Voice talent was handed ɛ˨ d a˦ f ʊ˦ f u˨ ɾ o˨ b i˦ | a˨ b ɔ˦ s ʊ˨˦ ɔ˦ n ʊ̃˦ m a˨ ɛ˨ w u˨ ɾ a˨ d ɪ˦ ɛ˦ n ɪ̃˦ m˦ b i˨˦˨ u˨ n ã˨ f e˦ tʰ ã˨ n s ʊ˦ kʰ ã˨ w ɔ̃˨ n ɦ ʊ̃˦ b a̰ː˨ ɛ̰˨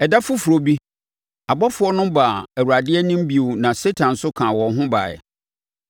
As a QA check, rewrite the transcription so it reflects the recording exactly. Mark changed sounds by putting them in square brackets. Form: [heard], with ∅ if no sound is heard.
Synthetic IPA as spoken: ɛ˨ d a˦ f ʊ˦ f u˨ ɾ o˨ b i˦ | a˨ b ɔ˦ [f] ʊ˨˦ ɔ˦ n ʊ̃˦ [b] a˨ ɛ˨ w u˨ ɾ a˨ d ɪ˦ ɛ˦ n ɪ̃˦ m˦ b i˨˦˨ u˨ n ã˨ [s] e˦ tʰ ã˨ n s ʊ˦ kʰ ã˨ w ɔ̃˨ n ɦ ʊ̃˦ b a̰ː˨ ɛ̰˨